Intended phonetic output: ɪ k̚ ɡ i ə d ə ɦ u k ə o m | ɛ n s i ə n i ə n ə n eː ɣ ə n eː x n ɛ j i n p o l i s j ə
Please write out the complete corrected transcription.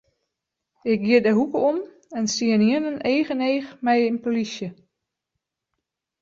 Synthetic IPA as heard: ɪ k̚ ɡ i ə d ə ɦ u k ə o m | ɛ n s i ə n i ə n ə n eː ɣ ə n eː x m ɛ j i n p o l i s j ə

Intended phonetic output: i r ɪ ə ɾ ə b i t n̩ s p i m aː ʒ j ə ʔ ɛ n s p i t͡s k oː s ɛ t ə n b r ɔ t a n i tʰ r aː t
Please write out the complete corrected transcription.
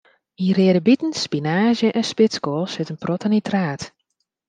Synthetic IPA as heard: i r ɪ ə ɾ ə b i t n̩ s p i n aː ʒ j ə ʔ ɛ n s p ɪ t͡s k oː s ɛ t ə n p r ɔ t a n i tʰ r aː t

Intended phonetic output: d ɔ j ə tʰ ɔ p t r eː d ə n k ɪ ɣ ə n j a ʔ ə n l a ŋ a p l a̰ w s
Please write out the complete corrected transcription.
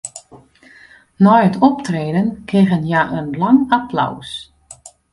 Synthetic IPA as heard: n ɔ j ə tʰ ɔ p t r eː d ə n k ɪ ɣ ə n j a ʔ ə n l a ŋ a p l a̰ w s

